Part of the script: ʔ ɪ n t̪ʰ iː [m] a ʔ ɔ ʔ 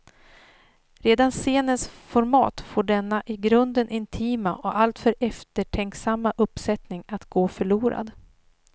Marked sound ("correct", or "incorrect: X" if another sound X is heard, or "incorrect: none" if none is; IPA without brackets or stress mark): correct